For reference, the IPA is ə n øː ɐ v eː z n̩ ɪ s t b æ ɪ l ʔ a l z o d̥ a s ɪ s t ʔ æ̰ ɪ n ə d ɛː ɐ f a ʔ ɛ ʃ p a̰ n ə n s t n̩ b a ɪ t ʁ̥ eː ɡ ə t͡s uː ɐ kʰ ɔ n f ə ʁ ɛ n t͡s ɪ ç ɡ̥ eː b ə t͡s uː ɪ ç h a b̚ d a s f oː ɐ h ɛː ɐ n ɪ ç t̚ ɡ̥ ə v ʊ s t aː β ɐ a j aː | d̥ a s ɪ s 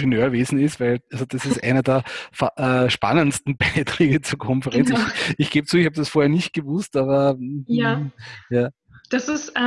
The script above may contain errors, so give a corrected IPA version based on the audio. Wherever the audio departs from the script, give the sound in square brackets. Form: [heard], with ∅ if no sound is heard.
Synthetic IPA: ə n øː ɐ v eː z n̩ ɪ s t [v] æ ɪ l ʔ a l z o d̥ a s ɪ s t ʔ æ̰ ɪ n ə d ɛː ɐ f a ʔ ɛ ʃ p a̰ n ə n s t n̩ b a ɪ t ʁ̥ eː ɡ ə t͡s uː ɐ kʰ ɔ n f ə ʁ ɛ n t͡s ɪ ç ɡ̥ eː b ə t͡s uː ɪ ç h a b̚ d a s f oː ɐ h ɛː ɐ n ɪ ç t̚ ɡ̥ ə v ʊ s t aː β ɐ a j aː | d̥ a s ɪ s